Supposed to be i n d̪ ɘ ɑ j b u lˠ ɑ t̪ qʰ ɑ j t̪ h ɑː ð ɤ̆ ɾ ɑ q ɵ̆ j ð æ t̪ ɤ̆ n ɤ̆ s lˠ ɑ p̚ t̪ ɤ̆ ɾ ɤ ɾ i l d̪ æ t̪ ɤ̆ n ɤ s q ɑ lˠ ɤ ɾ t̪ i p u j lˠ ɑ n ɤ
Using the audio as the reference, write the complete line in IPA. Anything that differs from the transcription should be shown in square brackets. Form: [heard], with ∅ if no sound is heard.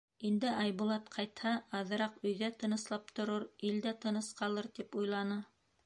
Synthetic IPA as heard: i n d̪ ɘ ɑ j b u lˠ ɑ t̪ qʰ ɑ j t̪ h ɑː ð ɤ̆ ɾ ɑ q ɵ̆ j ð æ t̪ ɤ̆ n ɤ̆ s lˠ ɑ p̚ t̪ [ŏ] ɾ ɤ ɾ i l d̪ æ t̪ ɤ̆ n ɤ s q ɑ lˠ ɤ ɾ t̪ i p u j lˠ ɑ n ɤ

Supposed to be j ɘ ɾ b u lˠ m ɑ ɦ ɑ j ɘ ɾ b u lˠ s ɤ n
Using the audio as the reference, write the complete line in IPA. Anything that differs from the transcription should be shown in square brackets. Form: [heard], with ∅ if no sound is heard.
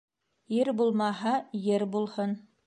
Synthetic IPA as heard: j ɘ ɾ b u lˠ m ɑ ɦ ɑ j ɘ ɾ b u lˠ [h] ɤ n

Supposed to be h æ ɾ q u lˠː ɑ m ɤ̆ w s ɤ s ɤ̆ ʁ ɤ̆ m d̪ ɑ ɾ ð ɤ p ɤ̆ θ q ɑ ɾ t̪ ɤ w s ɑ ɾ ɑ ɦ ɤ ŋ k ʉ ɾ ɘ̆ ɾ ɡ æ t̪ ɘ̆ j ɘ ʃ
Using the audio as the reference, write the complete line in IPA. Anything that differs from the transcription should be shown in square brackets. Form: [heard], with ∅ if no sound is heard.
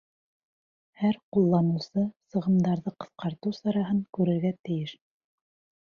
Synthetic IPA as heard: h æ ɾ q u lˠː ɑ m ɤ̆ w s ɤ s ɤ̆ ʁ ɤ̆ m d̪ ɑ ɾ ð ɤ [q] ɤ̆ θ q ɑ ɾ t̪ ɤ w s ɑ ɾ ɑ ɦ ɤ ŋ k ʉ ɾ ɘ̆ ɾ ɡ æ t̪ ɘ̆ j ɘ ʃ

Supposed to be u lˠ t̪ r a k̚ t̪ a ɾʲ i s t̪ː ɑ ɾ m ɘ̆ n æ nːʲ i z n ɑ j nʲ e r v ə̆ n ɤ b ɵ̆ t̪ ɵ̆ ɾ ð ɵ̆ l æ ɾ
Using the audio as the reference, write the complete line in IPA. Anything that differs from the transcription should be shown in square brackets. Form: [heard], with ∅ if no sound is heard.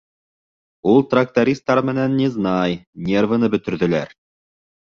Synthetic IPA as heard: u lˠ t̪ r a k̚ t̪ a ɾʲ i s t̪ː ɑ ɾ m ɘ̆ n æ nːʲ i z n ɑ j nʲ e r v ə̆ n ɤ b ɵ̆ t̪ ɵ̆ ɾ ð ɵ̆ l æ ɾ

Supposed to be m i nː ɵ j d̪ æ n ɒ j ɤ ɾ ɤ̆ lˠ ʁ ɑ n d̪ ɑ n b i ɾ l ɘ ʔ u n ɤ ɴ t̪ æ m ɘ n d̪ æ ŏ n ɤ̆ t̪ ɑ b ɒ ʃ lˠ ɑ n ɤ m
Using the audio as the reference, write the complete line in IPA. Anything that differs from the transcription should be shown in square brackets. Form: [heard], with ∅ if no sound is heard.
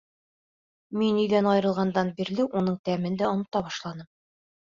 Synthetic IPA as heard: m i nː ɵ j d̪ æ n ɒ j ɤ ɾ ɤ̆ lˠ ʁ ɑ n d̪ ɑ n b i ɾ l ɘ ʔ u n ɤ ɴ t̪ æ m ɘ n d̪ æ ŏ n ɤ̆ t̪ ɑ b ɒ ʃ lˠ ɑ n ɤ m

